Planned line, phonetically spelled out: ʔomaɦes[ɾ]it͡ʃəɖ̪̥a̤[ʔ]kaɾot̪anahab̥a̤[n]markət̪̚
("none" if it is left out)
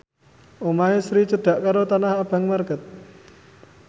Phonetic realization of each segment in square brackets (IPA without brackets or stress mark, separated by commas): ɾ, ʔ, ŋ